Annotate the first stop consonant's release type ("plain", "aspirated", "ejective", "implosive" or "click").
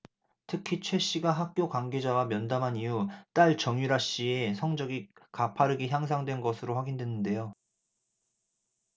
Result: aspirated